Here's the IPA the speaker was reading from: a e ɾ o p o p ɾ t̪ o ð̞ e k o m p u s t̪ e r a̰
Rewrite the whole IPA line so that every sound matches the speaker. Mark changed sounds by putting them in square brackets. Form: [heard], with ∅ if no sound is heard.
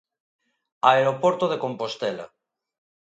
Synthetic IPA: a e ɾ o p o [∅] ɾ t̪ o ð̞ e k o m p [o] s t̪ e [l] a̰